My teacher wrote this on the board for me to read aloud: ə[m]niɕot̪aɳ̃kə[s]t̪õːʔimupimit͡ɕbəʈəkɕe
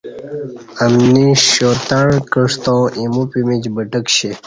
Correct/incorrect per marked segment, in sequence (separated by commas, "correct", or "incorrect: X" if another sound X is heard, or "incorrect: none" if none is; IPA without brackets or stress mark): correct, incorrect: ʂ